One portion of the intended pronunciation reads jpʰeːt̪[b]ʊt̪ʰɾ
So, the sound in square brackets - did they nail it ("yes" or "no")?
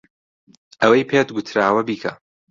no